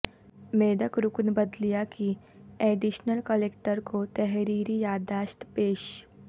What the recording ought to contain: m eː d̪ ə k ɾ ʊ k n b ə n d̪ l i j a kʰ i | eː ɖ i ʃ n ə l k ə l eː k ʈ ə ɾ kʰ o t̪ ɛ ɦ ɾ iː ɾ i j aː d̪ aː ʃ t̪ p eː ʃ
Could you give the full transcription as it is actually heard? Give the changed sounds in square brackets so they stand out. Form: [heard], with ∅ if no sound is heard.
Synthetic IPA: m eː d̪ ə k ɾ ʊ k n b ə [∅] d̪ l i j a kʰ i | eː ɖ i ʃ n ə l k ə l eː k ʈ ə ɾ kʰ o t̪ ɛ ɦ ɾ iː ɾ i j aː d̪ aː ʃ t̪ p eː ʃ